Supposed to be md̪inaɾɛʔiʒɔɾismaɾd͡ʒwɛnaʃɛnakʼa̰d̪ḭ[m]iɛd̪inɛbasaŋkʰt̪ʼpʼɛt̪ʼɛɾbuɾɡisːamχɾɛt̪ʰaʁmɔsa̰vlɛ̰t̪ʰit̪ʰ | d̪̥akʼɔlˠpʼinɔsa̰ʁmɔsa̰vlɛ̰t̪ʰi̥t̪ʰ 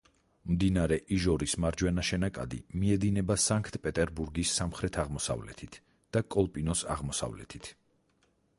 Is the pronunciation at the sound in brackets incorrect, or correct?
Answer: correct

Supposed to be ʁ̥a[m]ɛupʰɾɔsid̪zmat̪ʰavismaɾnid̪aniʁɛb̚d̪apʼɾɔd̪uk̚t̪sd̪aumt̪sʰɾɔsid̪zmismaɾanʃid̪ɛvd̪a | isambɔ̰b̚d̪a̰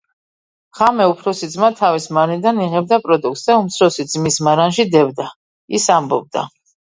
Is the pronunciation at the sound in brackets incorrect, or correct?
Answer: correct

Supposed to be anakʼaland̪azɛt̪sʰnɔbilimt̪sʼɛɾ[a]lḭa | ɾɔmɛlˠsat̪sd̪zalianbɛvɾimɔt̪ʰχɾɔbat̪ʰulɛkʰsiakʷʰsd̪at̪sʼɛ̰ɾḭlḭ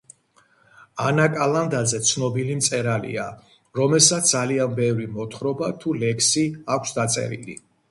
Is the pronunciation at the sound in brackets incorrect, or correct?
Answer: correct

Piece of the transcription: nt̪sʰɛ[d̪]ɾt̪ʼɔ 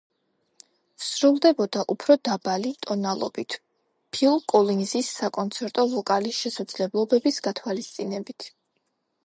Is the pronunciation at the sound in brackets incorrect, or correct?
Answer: incorrect: none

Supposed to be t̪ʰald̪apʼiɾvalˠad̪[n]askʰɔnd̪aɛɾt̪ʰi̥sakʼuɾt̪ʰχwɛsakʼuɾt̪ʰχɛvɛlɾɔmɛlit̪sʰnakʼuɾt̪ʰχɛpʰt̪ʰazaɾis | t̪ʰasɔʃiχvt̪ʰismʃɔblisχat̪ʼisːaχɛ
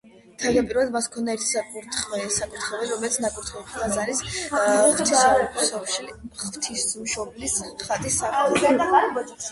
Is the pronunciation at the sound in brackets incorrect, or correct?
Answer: incorrect: m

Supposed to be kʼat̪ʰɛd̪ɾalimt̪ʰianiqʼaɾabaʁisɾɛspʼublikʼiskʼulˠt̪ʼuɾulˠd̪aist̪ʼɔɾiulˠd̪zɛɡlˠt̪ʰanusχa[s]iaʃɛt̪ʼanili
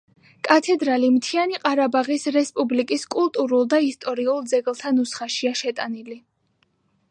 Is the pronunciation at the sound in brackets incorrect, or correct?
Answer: incorrect: ʃ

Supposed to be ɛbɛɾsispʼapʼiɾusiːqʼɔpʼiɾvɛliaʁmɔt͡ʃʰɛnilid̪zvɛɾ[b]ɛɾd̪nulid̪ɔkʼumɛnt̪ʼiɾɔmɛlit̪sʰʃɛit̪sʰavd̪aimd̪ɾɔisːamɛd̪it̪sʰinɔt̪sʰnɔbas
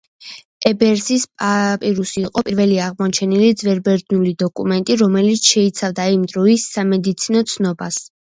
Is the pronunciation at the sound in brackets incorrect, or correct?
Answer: correct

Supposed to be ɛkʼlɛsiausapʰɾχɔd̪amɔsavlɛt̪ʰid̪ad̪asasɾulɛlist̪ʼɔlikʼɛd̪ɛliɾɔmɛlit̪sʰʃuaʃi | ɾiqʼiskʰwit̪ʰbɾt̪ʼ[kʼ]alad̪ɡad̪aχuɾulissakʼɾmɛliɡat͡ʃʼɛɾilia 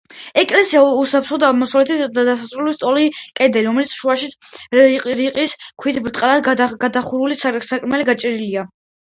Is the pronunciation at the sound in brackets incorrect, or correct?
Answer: incorrect: qʼ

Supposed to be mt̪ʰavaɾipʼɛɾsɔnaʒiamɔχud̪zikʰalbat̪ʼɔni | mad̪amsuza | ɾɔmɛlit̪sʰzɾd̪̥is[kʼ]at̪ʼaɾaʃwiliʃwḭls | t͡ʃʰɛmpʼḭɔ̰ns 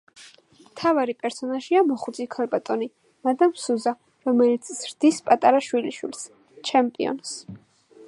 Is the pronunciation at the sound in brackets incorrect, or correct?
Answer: incorrect: pʼ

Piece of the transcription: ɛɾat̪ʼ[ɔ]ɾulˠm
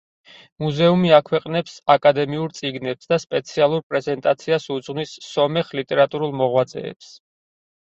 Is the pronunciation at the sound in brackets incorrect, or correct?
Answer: incorrect: u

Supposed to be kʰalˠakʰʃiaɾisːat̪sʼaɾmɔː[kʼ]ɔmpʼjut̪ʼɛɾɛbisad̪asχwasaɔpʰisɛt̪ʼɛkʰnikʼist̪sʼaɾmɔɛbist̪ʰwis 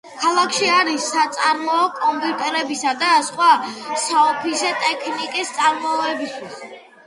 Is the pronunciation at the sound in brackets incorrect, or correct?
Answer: correct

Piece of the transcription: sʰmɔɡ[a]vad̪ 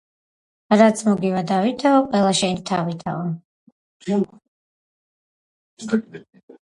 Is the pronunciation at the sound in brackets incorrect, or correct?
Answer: incorrect: i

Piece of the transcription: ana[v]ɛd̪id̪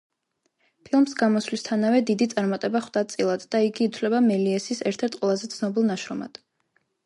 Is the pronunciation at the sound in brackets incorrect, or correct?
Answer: correct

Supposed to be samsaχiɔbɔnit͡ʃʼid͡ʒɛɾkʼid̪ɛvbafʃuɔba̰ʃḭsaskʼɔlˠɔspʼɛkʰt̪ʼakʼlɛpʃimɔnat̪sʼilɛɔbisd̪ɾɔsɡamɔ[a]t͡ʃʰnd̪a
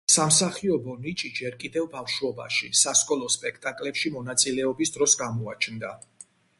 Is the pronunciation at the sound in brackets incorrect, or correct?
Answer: correct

